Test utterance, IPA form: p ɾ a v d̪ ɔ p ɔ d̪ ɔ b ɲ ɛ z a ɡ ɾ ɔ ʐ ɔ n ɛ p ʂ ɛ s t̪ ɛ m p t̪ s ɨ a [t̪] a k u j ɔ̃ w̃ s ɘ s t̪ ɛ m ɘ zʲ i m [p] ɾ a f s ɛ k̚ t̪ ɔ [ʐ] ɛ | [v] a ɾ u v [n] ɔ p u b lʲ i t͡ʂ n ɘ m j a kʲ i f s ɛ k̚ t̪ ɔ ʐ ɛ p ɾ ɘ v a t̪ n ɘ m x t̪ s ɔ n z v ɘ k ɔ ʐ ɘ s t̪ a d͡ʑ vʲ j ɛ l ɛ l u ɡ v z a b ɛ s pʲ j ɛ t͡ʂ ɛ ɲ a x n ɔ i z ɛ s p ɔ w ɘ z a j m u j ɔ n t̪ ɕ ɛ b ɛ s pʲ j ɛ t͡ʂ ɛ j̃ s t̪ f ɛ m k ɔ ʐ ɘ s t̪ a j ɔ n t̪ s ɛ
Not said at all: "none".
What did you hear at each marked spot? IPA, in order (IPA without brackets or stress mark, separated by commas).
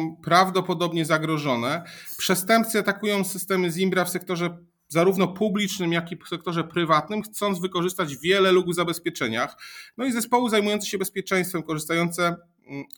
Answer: t̪, b, ʐ, z, n